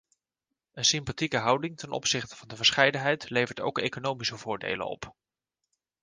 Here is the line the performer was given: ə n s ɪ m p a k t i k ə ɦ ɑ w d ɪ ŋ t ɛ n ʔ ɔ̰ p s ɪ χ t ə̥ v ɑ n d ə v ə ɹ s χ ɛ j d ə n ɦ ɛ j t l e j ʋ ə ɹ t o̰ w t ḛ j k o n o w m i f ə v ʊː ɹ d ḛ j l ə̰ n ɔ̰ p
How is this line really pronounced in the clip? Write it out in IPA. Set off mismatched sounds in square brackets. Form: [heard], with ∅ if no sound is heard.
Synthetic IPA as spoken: ə n s ɪ m p a [∅] t i k ə ɦ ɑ w d ɪ ŋ t ɛ n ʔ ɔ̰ p s ɪ χ t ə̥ v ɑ n d ə v ə ɹ s χ ɛ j d ə n ɦ ɛ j t l e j [v] ə ɹ t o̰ w [k] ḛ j k o n o w m i [s] ə v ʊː ɹ d ḛ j l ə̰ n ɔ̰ p